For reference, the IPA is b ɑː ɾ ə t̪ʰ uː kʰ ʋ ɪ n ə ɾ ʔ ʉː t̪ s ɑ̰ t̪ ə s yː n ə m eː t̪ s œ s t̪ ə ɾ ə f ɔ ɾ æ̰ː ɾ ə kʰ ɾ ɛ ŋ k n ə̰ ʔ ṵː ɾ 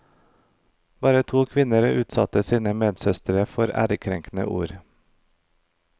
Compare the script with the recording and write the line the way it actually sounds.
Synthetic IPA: b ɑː ɾ ə t̪ʰ uː kʰ ʋ ɪ n ə ɾ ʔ ʉː t̪ s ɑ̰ t̪ ə s iː n ə m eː d̪ s œ s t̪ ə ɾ ə f ɔ ɾ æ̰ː ɾ ə kʰ ɾ ɛ ŋ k n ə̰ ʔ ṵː ɾ